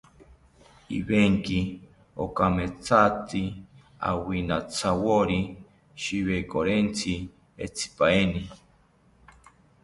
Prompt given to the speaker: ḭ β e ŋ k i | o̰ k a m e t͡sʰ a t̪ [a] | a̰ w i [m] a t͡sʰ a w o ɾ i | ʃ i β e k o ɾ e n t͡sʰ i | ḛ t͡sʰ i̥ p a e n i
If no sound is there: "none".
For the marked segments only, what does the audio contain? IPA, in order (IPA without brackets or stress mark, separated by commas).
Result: i, n